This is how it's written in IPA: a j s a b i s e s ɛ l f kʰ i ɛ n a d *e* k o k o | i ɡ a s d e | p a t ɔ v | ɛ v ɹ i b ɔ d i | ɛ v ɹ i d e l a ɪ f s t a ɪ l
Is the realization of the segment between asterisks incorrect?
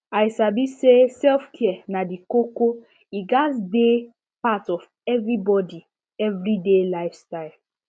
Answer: yes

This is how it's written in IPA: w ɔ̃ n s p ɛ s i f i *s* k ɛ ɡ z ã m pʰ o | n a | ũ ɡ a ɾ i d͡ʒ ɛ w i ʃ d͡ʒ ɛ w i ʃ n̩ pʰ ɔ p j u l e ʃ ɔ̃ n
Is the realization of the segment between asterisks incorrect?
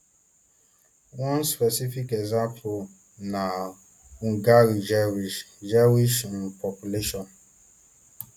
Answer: yes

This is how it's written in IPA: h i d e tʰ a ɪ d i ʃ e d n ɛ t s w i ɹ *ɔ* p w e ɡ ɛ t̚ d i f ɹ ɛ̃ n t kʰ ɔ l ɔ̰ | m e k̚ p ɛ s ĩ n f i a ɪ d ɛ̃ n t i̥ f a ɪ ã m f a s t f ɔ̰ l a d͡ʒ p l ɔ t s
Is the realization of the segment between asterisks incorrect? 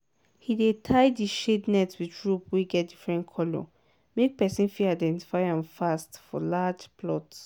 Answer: yes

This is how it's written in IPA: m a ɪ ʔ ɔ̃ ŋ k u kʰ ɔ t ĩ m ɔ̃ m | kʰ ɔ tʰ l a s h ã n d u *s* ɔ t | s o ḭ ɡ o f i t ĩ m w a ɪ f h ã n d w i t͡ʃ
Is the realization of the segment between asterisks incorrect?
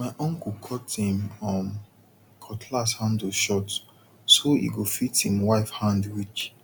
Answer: yes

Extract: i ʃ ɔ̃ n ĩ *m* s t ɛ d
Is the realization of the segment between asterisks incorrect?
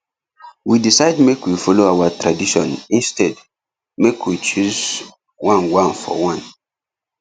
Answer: yes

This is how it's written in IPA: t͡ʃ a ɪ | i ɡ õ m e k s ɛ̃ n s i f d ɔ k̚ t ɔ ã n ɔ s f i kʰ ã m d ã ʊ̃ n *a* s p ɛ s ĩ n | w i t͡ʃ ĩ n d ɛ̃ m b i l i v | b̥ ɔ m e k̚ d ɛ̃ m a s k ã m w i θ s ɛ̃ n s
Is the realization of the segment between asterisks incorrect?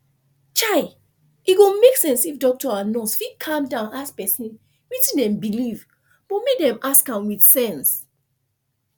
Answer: no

